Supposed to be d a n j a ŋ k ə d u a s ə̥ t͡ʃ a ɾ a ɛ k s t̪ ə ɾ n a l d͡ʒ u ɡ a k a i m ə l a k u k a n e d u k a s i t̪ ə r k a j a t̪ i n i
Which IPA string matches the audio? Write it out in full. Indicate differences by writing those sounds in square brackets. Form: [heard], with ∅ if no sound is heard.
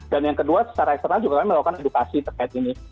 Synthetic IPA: d a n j a ŋ k ə d u a s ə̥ t͡ʃ a ɾ a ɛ k s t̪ ə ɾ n a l d͡ʒ u ɡ a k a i m ə l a k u k a n e d u k a s i t̪ ə r k a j a t̪ i n i

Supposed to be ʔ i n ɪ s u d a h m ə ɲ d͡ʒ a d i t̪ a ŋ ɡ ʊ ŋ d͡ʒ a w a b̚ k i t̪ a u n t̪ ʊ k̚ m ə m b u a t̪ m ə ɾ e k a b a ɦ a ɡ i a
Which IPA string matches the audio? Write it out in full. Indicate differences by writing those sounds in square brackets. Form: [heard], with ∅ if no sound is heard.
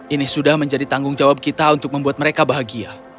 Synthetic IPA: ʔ i n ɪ s u d a h m ə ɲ d͡ʒ a d i t̪ a ŋ ɡ ʊ ŋ d͡ʒ a w a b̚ k i t̪ a u n t̪ ʊ k̚ m ə m b u a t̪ m ə ɾ e k a b a ɦ a ɡ i a

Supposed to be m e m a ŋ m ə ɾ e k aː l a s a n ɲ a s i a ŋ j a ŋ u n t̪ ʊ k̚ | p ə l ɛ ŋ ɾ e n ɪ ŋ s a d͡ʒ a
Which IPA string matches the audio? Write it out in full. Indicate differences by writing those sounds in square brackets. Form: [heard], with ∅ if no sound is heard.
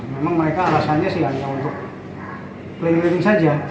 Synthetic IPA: m e m a ŋ m ə ɾ e k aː l a s a n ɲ a s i a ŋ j a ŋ u n t̪ ʊ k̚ | p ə l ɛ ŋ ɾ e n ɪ ŋ s a d͡ʒ a

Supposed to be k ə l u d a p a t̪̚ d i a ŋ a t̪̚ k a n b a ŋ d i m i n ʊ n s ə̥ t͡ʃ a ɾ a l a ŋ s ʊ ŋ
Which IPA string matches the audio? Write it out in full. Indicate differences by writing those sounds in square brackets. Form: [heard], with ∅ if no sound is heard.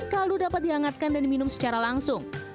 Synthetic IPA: k [a] l u d a p a t̪̚ d i a ŋ a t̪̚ k a n [d] a [n] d i m i n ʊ [m] s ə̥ t͡ʃ a ɾ a l a ŋ s ʊ ŋ

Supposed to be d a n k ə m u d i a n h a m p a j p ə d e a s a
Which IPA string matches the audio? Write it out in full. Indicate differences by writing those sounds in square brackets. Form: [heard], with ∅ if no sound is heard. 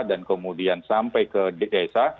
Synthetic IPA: d a n k ə m u d i a n [s] a m p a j [k] ə d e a s a

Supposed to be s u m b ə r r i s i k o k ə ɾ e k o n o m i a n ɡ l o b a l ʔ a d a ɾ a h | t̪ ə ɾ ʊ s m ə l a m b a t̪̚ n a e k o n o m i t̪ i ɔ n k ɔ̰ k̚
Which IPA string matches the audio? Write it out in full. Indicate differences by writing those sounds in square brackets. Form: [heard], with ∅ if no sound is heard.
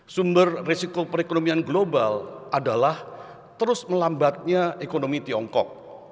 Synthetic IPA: s u m b ə r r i s i k o [p] ə ɾ e k o n o m i a n ɡ l o b a l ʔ a d a [l] a h | t̪ ə ɾ ʊ s m ə l a m b a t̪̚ [ɲ] a e k o n o m i t̪ i ɔ [ŋ] k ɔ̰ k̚

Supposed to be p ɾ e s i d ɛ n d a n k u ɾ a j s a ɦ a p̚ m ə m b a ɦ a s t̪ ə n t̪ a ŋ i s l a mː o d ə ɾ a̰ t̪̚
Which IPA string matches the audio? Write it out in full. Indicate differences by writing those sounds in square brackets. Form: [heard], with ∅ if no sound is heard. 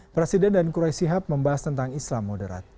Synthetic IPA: p ɾ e s i d ɛ n d a n k u ɾ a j s [i] ɦ a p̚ m ə m b a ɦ a s t̪ ə n t̪ a ŋ i s l a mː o d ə ɾ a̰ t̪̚

